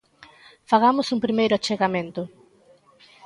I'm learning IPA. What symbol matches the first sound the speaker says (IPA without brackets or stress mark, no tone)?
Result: f